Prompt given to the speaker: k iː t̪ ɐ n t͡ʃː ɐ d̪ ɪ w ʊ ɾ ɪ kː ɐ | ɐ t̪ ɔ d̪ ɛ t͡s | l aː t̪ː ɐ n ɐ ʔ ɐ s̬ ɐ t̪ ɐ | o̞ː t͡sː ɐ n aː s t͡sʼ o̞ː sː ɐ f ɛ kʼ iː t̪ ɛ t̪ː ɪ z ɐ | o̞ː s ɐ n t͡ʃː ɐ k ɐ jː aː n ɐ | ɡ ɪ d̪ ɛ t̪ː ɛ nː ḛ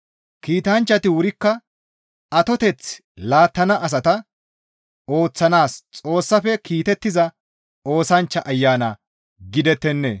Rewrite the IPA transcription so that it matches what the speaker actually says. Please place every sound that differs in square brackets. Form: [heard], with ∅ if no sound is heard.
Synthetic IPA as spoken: k iː t̪ ɐ n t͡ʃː ɐ [t̪] ɪ w ʊ ɾ ɪ kː ɐ | ɐ t̪ ɔ [t̪] ɛ t͡s | l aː t̪ː ɐ n ɐ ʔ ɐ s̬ ɐ t̪ ɐ | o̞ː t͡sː ɐ n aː s t͡sʼ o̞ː sː ɐ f ɛ [k] iː t̪ ɛ t̪ː ɪ z ɐ | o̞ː s ɐ n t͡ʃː ɐ [ʔ] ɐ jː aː n ɐ | ɡ ɪ d̪ ɛ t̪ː ɛ nː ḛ